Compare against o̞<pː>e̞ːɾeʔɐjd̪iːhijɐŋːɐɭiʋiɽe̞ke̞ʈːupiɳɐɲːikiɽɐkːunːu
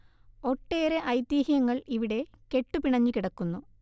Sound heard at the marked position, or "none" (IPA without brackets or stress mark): ʈː